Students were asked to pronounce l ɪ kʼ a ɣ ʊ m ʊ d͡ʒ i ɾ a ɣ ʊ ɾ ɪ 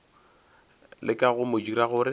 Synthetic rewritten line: l ɪ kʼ a ɣ ʊ m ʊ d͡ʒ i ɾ a ɣ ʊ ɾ ɪ